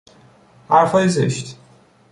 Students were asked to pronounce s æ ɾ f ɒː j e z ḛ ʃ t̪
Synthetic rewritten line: h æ ɾ f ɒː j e z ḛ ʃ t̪